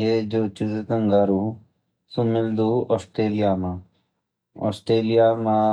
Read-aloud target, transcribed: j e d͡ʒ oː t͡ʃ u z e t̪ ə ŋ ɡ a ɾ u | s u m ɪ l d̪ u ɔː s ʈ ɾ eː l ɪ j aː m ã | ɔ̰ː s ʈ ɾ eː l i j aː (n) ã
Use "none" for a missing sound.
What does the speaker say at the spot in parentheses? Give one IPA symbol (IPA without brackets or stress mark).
m